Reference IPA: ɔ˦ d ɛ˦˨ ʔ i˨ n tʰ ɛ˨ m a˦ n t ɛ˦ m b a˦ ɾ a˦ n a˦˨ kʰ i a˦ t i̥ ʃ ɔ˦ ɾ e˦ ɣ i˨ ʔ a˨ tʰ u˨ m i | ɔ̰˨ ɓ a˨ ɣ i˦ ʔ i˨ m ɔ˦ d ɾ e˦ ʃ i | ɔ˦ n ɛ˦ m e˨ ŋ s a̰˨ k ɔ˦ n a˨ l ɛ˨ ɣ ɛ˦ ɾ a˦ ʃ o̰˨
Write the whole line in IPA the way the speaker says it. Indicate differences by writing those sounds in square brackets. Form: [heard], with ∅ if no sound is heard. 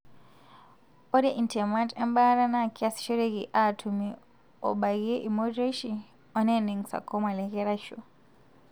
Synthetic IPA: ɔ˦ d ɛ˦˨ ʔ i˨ n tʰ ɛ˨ m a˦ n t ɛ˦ m b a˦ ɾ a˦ n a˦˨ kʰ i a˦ [s] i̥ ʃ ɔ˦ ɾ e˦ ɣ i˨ ʔ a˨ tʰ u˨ m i | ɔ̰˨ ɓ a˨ ɣ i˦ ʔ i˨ m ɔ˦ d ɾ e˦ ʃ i | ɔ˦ n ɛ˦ [n] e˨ ŋ s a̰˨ k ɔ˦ [m] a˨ l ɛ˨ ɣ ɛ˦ ɾ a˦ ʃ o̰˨